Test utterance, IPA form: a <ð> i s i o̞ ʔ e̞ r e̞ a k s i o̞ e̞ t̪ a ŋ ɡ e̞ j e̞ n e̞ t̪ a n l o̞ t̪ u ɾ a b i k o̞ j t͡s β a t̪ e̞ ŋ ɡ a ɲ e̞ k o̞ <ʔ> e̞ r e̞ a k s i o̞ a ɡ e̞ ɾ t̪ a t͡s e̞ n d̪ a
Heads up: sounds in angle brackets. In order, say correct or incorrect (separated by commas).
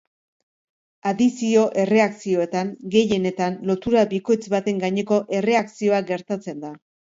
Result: correct, correct